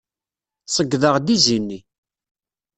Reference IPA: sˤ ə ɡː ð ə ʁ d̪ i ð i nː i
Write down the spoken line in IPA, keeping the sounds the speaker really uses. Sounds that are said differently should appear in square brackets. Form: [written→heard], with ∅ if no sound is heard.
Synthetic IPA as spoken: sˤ ə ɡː ð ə ʁ d̪ i [ð→z] i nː i